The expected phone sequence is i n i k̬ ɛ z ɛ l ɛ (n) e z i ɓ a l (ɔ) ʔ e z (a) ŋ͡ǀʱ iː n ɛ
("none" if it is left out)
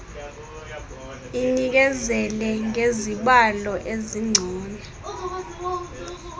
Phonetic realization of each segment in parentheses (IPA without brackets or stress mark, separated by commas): ŋ, ɔ, i